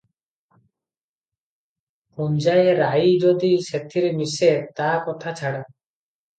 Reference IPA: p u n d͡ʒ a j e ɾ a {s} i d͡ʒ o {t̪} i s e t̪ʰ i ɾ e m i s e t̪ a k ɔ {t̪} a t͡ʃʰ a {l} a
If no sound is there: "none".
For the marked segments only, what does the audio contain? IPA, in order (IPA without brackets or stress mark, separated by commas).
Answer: none, d̪, t̪ʰ, ɽ